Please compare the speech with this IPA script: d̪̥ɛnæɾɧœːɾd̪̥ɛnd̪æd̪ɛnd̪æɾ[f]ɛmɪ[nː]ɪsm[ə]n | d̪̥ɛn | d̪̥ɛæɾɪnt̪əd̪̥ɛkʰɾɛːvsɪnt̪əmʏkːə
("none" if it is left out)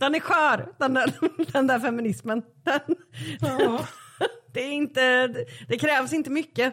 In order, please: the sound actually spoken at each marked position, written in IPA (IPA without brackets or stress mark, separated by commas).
f, n, ə